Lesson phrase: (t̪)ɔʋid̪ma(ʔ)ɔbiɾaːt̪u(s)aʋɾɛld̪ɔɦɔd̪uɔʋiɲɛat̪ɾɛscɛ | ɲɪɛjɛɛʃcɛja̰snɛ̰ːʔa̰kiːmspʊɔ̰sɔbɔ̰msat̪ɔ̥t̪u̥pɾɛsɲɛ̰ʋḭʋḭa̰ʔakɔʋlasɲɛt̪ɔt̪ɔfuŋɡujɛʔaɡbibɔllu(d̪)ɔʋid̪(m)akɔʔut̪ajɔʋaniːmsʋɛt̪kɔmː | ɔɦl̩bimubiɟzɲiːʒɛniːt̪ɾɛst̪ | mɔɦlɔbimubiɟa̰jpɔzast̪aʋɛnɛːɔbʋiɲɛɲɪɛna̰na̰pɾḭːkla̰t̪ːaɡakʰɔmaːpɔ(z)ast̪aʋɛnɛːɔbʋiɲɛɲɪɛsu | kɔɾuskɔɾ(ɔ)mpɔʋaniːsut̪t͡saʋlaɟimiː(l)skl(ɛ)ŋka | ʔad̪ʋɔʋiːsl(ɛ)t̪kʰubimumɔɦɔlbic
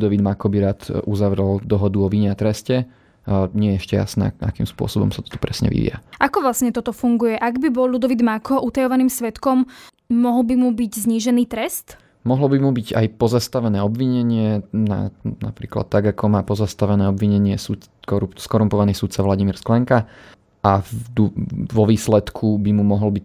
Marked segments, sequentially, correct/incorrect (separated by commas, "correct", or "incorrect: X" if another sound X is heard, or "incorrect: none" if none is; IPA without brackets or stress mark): incorrect: d̪, incorrect: k, incorrect: z, correct, correct, correct, incorrect: u, incorrect: ɾ, correct, correct